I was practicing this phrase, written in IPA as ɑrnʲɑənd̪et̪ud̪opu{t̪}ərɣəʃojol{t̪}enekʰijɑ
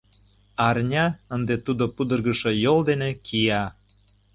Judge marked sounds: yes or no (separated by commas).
no, no